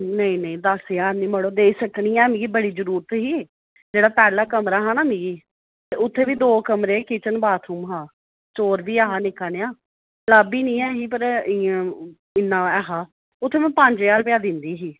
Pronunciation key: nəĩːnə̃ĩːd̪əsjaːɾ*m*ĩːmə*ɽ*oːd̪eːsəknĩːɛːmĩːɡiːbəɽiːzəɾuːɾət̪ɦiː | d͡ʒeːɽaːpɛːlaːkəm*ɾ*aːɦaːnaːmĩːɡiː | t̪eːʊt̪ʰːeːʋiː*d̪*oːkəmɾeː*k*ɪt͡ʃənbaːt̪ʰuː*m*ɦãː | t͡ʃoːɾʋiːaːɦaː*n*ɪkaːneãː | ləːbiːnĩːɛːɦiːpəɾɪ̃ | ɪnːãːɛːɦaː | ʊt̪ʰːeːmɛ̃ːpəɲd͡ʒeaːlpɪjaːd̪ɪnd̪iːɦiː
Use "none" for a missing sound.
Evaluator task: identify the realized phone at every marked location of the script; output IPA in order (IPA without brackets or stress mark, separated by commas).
n, ɽ, ɾ, d̪, k, m, n